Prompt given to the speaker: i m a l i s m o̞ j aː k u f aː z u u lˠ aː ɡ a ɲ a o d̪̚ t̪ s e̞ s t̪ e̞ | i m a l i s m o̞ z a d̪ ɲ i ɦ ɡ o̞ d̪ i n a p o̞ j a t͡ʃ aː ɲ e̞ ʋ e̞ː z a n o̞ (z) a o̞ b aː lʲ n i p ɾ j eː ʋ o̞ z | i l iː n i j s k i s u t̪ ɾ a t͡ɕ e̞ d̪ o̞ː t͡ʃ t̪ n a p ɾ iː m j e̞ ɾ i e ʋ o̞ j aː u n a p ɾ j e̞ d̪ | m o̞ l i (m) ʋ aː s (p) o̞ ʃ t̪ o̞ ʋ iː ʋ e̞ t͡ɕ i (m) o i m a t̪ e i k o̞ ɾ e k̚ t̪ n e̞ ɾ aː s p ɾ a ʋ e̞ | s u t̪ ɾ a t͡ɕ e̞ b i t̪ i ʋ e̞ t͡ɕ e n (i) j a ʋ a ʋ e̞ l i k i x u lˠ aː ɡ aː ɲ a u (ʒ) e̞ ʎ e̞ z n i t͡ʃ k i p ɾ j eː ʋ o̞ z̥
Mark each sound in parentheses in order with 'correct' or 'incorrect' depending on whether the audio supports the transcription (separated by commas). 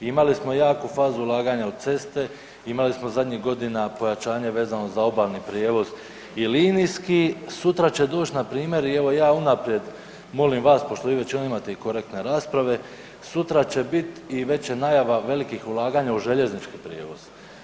correct, correct, correct, incorrect, incorrect, correct